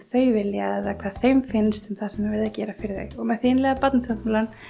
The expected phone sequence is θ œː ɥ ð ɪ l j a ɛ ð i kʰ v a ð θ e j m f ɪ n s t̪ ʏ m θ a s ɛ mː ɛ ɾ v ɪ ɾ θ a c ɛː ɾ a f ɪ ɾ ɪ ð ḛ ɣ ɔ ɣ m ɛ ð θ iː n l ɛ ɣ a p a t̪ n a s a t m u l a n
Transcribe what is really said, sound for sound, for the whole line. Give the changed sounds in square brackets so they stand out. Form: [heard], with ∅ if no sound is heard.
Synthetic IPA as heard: θ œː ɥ [v] ɪ l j a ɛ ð [a] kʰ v a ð θ e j m f ɪ n s t̪ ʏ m θ a s ɛ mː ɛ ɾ v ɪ ɾ [ð] a c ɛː ɾ a f ɪ ɾ ɪ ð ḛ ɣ ɔ ɣ m ɛ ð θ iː n l ɛ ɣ a p a t̪ n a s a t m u l a n

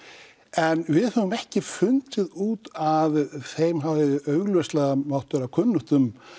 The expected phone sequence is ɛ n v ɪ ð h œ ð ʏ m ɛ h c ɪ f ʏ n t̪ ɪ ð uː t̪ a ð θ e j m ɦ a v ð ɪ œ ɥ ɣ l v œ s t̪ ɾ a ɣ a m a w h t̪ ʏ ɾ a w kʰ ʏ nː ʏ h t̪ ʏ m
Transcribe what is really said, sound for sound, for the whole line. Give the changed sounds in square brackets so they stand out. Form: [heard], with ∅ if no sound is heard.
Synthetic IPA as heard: ɛ n v ɪ ð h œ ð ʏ m ɛ h c ɪ f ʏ n t̪ ɪ ð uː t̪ a ð θ e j m ɦ a v ð ɪ œ ɥ ɣ l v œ s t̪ [l] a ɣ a m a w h t̪ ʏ ɾ a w kʰ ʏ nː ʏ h t̪ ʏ m

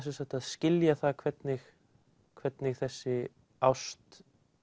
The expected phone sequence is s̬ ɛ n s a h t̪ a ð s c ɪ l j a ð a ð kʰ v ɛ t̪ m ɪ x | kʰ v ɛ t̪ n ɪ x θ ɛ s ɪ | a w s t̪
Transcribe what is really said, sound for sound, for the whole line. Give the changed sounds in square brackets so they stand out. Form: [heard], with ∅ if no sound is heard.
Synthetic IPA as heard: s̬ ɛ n s a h t̪ a ð s c ɪ l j a [θ] a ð kʰ v ɛ t̪ [n] ɪ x | kʰ v ɛ t̪ n ɪ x θ ɛ [sː] ɪ | a w s t̪

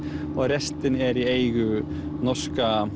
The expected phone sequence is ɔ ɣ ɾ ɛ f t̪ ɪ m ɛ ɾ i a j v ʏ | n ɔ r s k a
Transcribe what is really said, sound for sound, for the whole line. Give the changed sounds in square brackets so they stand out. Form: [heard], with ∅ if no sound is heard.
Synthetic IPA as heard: ɔ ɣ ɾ ɛ [s] t̪ ɪ [n] ɛ ɾ i [e] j [ɣ] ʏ | n ɔ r s k a

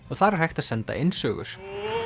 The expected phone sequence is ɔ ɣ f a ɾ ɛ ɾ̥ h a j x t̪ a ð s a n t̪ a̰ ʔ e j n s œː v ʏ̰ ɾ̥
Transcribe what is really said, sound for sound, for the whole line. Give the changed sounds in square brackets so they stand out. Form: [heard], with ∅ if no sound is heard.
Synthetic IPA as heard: ɔ ɣ [θ] a ɾ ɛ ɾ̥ h a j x t̪ a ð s [ɛ] n t̪ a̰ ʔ e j n s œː [ɣ] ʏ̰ ɾ̥

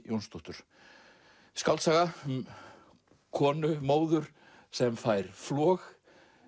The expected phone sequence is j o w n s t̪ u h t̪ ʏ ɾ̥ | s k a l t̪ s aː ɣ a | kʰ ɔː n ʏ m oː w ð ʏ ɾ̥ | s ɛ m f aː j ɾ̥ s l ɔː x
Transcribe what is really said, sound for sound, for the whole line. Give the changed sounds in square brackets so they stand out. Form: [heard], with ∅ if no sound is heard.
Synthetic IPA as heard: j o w n s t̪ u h t̪ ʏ ɾ̥ | s k a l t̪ s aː ɣ a | kʰ ɔː n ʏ m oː w ð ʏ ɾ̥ | s ɛ m f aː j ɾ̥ [f] l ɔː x

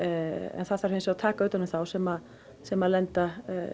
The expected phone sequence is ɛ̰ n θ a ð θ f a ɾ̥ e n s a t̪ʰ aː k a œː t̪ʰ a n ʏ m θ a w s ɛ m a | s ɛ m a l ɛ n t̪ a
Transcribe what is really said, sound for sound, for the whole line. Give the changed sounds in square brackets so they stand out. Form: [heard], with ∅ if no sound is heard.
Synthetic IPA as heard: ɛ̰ n θ a ð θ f a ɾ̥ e n s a t̪ʰ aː k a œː [t̪] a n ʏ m θ a w s ɛ m a | s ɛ m a l ɛ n t̪ a

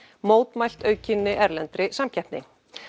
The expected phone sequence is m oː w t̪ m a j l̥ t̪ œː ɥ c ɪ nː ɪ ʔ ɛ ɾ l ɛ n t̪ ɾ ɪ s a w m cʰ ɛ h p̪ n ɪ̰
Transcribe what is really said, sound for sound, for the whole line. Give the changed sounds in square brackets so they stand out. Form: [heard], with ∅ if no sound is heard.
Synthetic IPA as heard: m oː w t̪ m a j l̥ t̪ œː ɥ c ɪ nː ɪ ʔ ɛ ɾ l ɛ n t̪ ɾ ɪ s a [∅] m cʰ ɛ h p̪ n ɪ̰

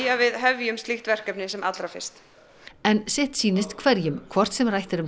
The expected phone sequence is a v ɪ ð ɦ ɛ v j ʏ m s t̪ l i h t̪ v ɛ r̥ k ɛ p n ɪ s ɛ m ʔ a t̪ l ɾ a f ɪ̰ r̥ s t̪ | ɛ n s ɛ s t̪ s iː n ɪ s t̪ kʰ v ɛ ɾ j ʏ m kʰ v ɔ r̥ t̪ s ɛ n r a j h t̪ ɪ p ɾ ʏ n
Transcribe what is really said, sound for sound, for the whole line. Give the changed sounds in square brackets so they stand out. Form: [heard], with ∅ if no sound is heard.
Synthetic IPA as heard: a v ɪ ð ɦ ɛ v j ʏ m s t̪ l i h t̪ v ɛ r̥ k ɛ p n ɪ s ɛ m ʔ a t̪ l ɾ a f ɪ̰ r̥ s t̪ | ɛ n s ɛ [h] t̪ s iː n ɪ s t̪ kʰ v ɛ ɾ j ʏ m kʰ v ɔ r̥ t̪ s ɛ [m] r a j h t̪ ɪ [∅] ɾ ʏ [m]

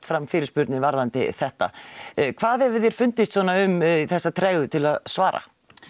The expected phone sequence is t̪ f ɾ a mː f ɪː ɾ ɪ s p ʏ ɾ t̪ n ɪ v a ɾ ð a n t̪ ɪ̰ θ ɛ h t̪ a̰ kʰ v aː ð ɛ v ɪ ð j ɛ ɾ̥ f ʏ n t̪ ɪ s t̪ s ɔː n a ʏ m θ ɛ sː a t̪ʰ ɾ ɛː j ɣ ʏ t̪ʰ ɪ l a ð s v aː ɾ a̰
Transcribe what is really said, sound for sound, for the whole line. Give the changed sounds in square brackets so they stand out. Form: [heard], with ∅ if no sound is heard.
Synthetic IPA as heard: t̪ f ɾ a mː f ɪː ɾ ɪ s p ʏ ɾ t̪ n ɪ v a ɾ ð a n t̪ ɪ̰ θ ɛ h t̪ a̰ kʰ v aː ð ɛ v ɪ ð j ɛ ɾ̥ f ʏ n t̪ ɪ s t̪ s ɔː n a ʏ m θ ɛ sː a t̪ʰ ɾ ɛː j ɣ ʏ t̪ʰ ɪ l a ð s v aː ɾ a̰

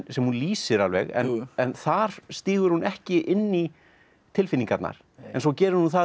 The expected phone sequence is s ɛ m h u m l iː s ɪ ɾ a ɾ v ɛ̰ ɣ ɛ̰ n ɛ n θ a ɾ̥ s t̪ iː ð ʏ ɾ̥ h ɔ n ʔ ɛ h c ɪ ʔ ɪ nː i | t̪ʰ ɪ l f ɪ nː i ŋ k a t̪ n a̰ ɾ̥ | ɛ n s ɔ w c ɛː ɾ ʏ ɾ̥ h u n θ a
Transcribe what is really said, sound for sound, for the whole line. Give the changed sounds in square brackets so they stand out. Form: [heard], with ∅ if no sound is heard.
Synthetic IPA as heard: s ɛ m h u [n] l iː s ɪ ɾ a [l] v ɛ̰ ɣ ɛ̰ n ɛ n θ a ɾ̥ s t̪ iː [ɣ] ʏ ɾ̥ h [u] n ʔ ɛ h c ɪ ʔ ɪ nː i | t̪ʰ ɪ l f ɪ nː i ŋ k a t̪ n a̰ ɾ̥ | ɛ n s ɔ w c ɛː ɾ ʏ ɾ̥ h u n θ a

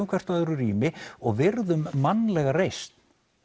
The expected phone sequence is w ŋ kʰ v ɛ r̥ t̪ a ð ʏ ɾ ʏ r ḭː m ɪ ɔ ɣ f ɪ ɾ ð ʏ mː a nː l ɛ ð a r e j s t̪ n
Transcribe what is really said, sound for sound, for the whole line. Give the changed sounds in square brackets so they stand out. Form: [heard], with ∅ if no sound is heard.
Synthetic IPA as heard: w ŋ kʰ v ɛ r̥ t̪ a ð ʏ ɾ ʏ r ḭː m ɪ ɔ ɣ [v] ɪ ɾ ð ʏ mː a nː l ɛ [ɣ] a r e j s t̪ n

